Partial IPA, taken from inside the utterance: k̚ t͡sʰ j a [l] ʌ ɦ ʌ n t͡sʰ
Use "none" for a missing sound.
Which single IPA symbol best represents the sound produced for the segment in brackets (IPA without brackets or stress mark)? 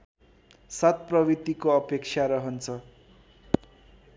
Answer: ɾ